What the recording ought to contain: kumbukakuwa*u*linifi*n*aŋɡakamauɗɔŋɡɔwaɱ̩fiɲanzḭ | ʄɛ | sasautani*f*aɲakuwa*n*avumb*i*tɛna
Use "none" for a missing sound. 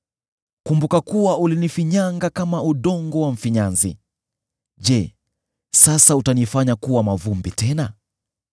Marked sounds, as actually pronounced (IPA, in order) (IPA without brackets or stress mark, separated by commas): u, ɲ, f, m, i